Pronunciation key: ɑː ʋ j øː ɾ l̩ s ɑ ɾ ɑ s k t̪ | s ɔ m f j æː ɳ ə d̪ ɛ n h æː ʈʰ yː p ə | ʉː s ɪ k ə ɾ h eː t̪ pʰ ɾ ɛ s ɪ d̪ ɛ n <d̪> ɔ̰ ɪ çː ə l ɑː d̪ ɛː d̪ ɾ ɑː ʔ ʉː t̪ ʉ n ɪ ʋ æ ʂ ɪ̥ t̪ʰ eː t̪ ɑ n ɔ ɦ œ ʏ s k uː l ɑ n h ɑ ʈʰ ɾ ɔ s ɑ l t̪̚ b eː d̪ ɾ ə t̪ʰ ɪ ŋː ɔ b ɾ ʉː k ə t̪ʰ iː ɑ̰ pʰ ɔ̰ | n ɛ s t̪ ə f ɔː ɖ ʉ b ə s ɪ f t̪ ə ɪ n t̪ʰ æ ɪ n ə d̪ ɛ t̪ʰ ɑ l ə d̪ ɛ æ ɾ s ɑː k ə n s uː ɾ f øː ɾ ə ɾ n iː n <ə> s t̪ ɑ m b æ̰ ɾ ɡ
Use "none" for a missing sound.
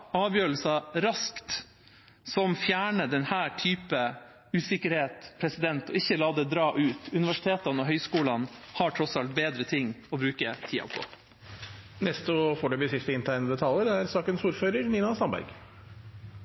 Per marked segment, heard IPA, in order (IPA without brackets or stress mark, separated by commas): t̪, ɑ